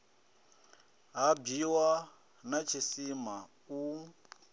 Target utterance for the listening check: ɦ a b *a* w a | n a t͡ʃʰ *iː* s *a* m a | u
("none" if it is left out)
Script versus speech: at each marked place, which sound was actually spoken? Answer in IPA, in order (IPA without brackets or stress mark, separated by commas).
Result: i, i, i